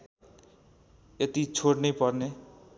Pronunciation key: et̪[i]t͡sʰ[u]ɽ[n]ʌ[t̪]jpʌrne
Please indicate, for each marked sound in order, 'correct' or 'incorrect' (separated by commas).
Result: correct, incorrect, correct, incorrect